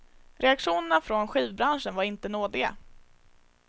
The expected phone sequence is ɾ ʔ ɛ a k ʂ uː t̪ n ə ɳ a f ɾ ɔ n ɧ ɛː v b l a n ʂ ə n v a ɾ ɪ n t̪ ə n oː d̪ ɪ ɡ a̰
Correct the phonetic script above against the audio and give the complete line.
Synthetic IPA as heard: ɾ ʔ ɛ a k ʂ uː n ə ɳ a f ɾ ɔ n ɧ iː v b ɾ a n ʂ ə n v a ɾ ɪ n t̪ ə n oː d̪ ɪ ɡ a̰